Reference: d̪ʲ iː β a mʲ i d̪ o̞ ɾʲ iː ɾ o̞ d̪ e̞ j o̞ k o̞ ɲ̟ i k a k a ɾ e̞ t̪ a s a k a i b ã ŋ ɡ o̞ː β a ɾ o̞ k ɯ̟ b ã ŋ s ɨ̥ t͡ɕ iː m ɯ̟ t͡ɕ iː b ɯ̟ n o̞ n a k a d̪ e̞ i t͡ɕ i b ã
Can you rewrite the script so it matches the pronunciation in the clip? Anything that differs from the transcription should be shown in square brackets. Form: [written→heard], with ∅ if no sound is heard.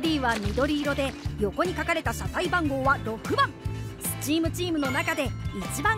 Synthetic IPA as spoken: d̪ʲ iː β a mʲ i d̪ o̞ ɾʲ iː ɾ o̞ d̪ e̞ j o̞ k o̞ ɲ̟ i k a k a ɾ e̞ t̪ a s a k a i b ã ŋ ɡ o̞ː β a ɾ o̞ k ɯ̟ b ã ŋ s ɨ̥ t͡ɕ iː m ɯ̟ t͡ɕ iː [b→m] ɯ̟ n o̞ n a k a d̪ e̞ i t͡ɕ i b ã